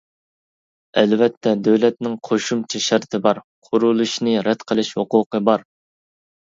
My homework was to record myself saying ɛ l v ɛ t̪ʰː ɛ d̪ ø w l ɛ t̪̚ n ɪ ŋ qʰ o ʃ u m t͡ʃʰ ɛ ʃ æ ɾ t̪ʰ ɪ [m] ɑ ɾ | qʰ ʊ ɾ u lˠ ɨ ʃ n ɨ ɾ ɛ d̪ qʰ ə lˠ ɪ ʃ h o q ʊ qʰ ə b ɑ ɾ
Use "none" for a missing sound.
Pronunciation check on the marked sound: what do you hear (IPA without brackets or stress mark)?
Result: b